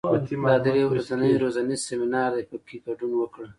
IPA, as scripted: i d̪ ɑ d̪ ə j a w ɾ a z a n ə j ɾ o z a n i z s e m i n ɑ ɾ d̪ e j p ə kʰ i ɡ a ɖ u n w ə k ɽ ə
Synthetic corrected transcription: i d̪ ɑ d̪ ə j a w ɾ a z a n ə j ɾ o z a n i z s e m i n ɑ ɾ d̪ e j p ə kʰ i ɡ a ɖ u n w ə k ɽ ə